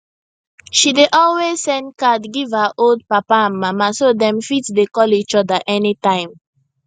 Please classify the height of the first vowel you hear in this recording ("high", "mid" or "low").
high